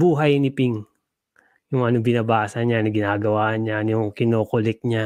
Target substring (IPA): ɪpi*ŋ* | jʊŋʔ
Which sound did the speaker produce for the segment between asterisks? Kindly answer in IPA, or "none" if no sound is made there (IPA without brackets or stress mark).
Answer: ŋ